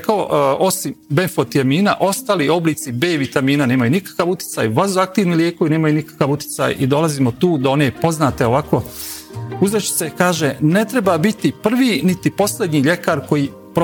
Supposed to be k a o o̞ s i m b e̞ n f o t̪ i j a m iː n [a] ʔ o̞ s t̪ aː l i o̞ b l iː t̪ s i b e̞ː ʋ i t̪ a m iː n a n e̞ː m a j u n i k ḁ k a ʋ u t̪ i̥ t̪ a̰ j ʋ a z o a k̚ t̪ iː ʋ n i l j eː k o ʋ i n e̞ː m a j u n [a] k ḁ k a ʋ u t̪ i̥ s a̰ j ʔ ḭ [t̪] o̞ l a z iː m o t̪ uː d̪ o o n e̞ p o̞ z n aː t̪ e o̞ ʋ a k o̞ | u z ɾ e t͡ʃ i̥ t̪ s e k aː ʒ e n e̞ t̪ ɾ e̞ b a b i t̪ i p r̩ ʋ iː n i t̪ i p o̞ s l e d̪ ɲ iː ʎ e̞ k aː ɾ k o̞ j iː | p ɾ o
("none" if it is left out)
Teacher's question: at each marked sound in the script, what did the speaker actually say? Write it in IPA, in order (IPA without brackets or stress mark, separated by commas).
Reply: a, i, d̪